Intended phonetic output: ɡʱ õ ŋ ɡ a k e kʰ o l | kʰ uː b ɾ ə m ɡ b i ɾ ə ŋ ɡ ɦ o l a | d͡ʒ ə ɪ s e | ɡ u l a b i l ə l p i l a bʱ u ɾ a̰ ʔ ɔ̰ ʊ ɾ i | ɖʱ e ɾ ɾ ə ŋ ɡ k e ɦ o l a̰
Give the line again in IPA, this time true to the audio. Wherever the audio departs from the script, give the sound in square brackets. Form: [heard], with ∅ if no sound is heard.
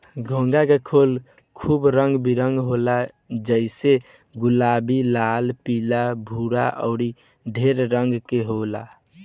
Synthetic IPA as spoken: ɡʱ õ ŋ ɡ a k e kʰ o l | kʰ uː b ɾ ə [ŋ] ɡ b i ɾ ə ŋ ɡ ɦ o l a | d͡ʒ ə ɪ s e | ɡ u l a b i l [a] l p i l a bʱ u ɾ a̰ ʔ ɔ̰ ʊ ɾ i | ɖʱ e ɾ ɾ ə ŋ ɡ k e ɦ o l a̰